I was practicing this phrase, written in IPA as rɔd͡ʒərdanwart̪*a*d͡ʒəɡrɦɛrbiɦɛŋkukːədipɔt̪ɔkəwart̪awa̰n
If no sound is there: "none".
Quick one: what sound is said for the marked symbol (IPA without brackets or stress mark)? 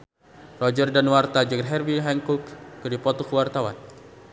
a